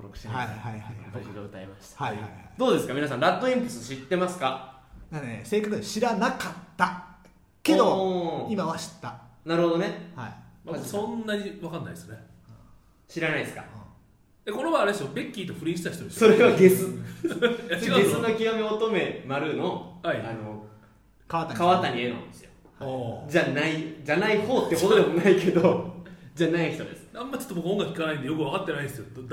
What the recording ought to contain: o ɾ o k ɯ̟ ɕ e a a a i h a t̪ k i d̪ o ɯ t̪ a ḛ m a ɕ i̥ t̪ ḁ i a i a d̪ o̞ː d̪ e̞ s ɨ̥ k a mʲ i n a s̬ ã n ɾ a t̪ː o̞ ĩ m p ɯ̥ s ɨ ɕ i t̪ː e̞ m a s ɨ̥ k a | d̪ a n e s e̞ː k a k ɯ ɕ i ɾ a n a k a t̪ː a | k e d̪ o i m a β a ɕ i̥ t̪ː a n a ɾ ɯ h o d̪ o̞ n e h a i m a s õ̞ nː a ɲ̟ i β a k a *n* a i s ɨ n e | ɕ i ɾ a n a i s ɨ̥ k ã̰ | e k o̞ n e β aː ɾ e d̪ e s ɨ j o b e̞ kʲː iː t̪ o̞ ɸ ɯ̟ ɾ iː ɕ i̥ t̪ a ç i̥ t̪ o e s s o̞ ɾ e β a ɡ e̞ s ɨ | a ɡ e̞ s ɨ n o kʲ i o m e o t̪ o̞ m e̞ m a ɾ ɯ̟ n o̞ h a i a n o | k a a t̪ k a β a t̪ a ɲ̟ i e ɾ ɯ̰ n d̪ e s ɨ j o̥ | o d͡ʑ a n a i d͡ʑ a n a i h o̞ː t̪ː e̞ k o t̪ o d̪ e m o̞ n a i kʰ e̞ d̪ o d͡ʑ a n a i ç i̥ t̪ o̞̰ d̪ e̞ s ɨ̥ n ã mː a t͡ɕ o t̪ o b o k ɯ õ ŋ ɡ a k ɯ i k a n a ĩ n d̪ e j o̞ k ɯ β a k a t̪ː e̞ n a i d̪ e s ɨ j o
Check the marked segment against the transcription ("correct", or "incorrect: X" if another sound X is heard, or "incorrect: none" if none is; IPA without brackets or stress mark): incorrect: nː